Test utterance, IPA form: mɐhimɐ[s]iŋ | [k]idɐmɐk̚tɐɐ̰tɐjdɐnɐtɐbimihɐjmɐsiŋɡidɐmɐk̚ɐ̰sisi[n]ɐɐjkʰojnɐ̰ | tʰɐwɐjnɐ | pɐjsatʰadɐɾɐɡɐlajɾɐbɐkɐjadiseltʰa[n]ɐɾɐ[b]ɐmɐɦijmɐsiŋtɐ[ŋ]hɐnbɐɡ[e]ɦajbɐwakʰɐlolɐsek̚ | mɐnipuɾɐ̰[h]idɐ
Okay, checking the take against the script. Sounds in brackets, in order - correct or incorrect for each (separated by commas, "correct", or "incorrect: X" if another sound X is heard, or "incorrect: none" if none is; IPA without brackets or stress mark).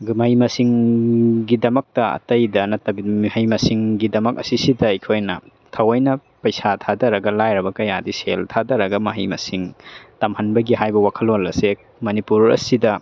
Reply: correct, incorrect: ɡ, incorrect: d, incorrect: d, incorrect: ɡ, incorrect: m, incorrect: i, incorrect: s